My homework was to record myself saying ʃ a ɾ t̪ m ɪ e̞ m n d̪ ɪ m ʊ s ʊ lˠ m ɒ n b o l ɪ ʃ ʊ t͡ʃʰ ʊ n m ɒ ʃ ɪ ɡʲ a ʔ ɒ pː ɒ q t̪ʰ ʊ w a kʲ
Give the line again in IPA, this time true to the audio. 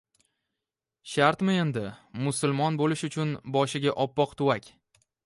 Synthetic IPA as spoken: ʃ a ɾ t̪ m ɪ e̞ n d̪ ɪ m ʊ s ʊ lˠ m ɒ n b o l ɪ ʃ ʊ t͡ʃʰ ʊ n b ɒ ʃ ɪ ɡʲ a ʔ ɒ pː ɒ q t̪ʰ ʊ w a kʲ